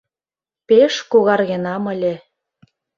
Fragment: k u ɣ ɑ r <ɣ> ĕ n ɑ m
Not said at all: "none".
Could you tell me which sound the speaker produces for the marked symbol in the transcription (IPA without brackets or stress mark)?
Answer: ɣ